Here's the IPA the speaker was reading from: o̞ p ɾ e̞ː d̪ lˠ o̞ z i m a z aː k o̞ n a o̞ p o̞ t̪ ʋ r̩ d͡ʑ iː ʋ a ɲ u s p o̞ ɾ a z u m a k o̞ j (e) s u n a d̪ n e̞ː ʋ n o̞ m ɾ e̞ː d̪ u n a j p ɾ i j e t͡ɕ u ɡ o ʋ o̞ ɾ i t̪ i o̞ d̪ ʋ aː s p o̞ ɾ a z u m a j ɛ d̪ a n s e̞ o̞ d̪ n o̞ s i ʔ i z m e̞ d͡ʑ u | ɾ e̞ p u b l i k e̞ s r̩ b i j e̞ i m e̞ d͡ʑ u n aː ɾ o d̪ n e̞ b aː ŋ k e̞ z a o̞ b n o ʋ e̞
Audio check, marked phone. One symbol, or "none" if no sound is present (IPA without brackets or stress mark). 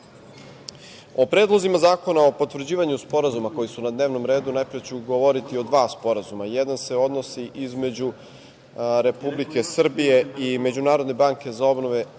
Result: i